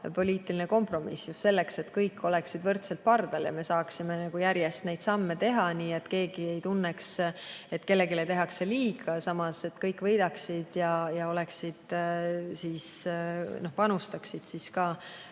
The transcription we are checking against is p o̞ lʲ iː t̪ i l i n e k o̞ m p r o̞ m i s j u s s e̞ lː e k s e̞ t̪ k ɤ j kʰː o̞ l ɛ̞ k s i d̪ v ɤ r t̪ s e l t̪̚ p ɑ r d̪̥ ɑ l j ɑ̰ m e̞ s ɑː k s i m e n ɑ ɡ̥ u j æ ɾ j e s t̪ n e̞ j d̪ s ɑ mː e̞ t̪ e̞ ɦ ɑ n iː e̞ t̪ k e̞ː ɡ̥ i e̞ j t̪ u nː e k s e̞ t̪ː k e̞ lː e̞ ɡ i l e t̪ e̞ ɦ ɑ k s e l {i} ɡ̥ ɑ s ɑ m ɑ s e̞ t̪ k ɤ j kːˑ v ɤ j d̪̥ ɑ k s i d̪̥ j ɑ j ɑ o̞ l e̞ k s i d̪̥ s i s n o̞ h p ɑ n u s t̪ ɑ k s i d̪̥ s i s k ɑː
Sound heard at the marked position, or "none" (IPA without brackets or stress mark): iː